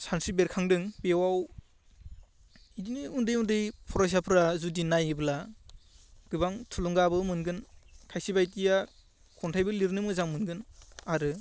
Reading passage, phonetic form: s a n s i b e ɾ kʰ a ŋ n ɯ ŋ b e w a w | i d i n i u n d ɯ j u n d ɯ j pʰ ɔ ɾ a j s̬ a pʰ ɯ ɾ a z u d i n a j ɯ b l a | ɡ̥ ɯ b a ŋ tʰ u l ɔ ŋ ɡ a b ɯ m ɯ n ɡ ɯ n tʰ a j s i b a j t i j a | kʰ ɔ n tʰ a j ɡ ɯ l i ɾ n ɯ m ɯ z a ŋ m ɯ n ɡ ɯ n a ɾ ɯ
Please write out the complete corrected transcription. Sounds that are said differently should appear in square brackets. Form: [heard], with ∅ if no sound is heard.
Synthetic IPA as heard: s a n s i b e ɾ kʰ a ŋ [d] ɯ ŋ b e w a w | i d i n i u n d ɯ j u n d ɯ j pʰ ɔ ɾ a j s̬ a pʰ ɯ ɾ a z u d i n a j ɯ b l a | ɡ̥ ɯ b a ŋ tʰ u l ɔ ŋ ɡ a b ɯ m ɯ n ɡ ɯ n [kʰ] a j s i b a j t i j a | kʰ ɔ n tʰ a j [b] ɯ l i ɾ n ɯ m ɯ z a ŋ m ɯ n ɡ ɯ n a ɾ ɯ